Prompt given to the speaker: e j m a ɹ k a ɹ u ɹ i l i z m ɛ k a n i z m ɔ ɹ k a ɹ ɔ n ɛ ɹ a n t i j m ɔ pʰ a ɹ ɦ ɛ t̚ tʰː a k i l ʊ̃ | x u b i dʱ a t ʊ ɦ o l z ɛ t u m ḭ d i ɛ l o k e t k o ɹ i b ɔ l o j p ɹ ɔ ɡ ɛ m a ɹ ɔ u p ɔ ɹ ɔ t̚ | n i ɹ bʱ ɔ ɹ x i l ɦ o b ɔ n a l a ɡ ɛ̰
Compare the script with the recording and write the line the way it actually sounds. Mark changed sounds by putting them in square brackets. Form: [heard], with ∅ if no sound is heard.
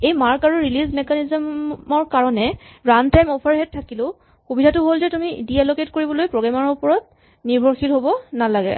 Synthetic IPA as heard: e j m a ɹ k a ɹ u ɹ i l i z m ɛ k a n i z m ɔ ɹ k a ɹ ɔ n ɛ ɹ a n t [a] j m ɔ pʰ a ɹ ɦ ɛ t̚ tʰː a k i l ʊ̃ | x u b i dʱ a t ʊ ɦ o l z ɛ t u m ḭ d i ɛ l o k e t k o ɹ i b ɔ l o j p ɹ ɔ ɡ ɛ m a ɹ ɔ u p ɔ ɹ ɔ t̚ | n i ɹ bʱ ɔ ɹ x i l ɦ o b ɔ n a l a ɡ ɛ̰